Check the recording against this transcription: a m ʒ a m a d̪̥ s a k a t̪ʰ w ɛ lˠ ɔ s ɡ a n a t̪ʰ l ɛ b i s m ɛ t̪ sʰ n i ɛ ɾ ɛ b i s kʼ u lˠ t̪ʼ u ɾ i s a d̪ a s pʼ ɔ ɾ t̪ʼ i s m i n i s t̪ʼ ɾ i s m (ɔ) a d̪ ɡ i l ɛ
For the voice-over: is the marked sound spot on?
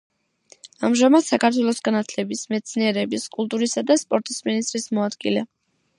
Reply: yes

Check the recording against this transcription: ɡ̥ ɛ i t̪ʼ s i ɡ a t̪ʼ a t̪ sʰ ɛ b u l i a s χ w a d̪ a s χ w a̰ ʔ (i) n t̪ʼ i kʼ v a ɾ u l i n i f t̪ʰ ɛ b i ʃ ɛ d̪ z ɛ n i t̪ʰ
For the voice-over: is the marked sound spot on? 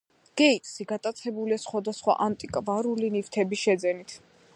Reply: no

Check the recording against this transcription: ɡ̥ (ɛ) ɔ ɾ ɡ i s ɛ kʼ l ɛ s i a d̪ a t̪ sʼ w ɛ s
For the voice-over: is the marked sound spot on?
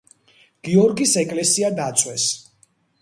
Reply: no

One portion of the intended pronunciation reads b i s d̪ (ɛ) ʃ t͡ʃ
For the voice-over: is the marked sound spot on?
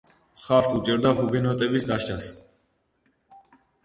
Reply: no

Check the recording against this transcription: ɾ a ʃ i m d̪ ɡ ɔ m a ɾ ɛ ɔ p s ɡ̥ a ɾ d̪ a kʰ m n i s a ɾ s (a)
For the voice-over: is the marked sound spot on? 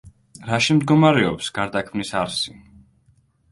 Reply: no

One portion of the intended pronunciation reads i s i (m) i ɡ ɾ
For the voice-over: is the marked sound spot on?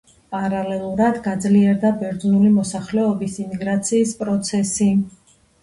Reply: yes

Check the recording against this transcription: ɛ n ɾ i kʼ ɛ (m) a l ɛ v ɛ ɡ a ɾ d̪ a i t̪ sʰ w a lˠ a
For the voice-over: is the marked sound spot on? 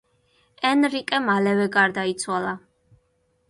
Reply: yes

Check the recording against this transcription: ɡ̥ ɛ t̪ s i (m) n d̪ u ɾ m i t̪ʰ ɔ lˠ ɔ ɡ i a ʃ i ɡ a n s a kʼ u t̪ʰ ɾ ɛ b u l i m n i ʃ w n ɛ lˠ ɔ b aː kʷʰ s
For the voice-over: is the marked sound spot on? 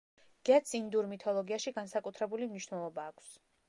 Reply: no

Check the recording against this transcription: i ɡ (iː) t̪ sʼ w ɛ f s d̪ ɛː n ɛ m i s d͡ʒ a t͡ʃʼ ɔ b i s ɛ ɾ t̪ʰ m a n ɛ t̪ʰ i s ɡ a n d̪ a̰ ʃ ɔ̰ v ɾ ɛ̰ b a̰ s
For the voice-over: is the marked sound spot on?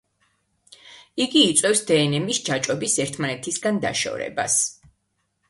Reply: yes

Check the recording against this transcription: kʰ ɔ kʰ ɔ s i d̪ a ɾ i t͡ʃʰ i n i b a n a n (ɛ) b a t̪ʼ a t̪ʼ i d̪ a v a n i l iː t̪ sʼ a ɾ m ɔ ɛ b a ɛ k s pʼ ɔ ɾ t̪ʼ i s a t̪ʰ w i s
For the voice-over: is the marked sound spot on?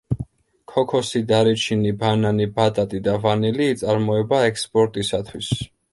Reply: no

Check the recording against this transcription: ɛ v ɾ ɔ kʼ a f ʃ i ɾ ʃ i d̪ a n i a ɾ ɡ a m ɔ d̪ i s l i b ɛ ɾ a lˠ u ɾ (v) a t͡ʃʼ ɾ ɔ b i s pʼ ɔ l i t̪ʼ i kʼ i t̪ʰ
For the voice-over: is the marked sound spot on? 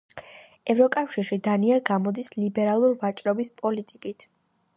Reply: yes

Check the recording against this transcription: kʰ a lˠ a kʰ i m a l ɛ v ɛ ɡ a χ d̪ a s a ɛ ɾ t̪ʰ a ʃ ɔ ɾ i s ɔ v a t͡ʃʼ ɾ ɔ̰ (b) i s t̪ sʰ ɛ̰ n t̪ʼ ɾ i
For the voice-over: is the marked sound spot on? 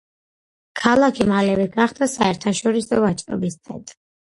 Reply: yes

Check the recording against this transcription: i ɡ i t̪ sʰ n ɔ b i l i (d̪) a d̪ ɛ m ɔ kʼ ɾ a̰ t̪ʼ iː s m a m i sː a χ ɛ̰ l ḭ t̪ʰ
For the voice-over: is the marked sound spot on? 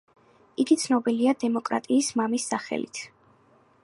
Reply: no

